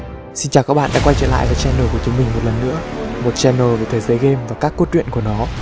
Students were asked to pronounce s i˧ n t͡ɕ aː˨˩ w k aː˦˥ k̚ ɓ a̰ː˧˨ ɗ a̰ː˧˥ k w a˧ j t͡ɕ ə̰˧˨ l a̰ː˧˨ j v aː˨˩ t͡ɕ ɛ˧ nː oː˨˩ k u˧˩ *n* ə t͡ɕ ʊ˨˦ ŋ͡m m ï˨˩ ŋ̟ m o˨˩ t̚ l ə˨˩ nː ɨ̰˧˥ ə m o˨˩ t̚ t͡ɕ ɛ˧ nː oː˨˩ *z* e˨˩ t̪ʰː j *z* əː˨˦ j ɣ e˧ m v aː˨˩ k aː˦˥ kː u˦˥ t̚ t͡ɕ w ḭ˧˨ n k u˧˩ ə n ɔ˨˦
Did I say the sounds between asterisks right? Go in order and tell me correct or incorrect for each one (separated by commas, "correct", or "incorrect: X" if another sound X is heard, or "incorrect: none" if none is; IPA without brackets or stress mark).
incorrect: none, incorrect: v, correct